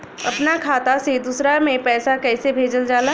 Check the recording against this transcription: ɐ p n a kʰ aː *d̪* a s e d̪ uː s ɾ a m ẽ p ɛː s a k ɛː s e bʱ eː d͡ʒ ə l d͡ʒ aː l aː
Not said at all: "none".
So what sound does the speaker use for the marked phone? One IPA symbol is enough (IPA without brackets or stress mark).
t̪